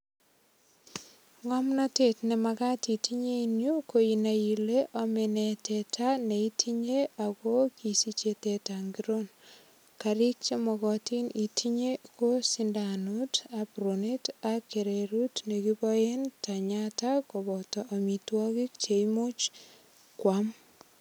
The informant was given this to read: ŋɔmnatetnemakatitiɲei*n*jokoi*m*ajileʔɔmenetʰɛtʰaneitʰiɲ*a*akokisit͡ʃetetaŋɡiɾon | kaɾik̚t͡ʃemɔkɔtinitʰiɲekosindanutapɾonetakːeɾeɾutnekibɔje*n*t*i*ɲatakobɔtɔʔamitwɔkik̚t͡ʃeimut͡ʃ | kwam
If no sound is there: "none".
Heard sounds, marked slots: n, n, e, n, a

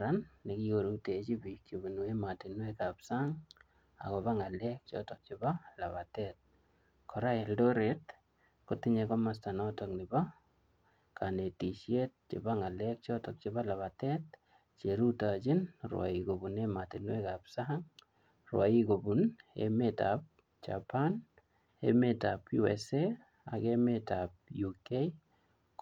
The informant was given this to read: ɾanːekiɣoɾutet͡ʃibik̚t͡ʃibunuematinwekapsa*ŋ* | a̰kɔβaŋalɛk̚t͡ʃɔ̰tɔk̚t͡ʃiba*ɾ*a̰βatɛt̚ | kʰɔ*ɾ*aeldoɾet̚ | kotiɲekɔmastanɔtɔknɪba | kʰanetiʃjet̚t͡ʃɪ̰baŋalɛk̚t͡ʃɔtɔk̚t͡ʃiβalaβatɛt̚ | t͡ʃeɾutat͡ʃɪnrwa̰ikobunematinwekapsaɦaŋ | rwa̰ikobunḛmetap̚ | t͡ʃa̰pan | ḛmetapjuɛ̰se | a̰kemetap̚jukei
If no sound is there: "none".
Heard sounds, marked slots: ŋ, l, ɾ

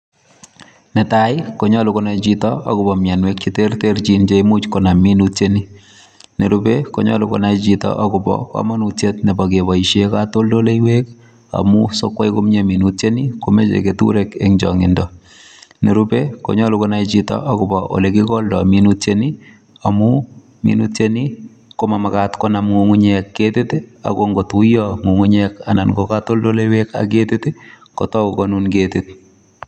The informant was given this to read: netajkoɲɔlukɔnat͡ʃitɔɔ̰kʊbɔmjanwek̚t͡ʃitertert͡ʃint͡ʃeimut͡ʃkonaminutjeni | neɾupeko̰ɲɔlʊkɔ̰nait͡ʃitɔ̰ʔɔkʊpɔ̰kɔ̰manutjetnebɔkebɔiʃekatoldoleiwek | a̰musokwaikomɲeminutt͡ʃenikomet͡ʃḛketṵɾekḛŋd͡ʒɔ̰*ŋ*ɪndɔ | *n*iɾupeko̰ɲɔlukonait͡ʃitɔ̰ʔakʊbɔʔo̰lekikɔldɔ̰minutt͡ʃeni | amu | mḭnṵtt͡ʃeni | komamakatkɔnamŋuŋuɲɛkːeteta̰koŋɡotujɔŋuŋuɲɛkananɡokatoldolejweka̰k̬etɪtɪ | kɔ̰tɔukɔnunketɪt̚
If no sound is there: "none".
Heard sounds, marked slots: ŋ, n

